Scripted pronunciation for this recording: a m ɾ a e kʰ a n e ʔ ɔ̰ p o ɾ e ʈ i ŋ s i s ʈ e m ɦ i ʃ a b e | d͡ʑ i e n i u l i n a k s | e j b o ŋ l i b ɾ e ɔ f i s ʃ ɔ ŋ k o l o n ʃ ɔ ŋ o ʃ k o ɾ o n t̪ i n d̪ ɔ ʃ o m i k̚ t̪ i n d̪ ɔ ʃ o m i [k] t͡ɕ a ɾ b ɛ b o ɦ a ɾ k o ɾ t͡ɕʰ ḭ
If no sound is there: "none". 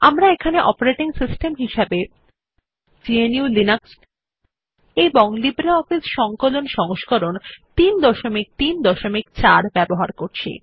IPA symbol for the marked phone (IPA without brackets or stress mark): k